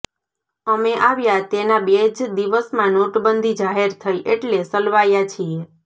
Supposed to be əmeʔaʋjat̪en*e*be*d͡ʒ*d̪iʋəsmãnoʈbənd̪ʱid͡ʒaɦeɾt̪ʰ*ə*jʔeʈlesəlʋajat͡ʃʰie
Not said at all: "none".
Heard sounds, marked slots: a, d͡ʒ, ə

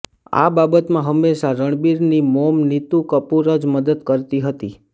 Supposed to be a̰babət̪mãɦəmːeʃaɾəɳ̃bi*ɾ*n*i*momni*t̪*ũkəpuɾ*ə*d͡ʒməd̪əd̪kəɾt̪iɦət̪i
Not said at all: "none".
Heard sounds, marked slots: ɾ, i, t̪, ə

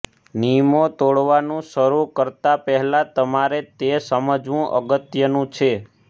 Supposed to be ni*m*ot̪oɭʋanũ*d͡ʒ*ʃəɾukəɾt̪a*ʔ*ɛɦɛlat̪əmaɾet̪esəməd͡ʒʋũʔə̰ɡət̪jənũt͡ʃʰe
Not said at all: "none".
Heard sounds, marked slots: m, none, p

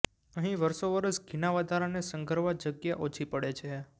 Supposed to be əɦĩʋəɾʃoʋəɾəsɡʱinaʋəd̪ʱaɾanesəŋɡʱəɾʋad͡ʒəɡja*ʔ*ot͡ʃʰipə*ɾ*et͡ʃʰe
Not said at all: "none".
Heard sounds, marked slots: ʔ, ɽ

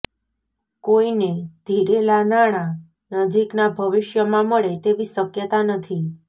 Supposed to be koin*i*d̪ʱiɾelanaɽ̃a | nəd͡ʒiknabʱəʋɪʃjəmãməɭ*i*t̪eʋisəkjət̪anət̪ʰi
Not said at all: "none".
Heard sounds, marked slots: e, e

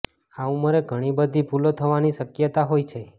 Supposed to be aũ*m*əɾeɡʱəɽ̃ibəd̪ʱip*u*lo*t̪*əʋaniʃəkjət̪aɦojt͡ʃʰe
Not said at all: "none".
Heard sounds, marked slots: m, u, t̪ʰ

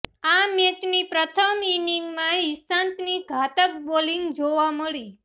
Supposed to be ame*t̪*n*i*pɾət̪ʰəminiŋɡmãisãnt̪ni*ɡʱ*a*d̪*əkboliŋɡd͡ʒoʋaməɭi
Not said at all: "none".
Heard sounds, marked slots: t̪, i, ɡʱ, t̪

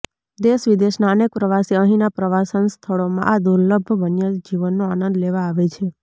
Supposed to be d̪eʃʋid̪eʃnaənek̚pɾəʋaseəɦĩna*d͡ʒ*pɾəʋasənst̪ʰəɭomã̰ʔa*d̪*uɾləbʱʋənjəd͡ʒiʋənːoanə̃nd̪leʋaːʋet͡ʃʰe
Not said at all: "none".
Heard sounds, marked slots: none, d̪

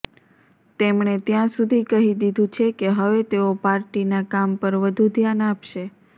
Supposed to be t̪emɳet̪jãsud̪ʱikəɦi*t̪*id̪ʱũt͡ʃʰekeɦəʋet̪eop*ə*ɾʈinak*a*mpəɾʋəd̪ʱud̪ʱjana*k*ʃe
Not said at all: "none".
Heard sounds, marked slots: d̪, a, a, p

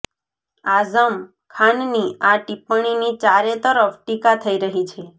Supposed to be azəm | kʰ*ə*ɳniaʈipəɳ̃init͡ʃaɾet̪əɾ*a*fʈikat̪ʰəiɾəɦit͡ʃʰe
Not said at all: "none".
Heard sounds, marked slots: a, ə

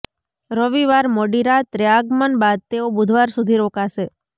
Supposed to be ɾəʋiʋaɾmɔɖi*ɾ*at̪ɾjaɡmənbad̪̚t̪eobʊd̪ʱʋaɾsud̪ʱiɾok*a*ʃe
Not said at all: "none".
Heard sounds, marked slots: ɾ, a

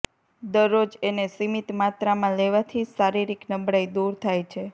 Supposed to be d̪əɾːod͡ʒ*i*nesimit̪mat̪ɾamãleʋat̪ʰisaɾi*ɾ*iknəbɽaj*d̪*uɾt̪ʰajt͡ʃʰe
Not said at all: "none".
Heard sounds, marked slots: e, ɾ, d̪

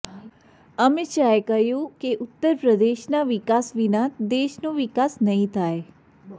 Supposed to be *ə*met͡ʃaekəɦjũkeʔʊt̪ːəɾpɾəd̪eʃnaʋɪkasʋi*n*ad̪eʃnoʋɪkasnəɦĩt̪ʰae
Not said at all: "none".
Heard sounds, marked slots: ə, n

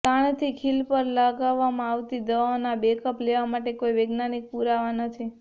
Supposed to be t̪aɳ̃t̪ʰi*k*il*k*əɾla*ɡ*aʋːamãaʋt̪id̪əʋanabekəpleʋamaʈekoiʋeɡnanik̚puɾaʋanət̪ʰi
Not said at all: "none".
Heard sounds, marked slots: kʰ, p, ɡ

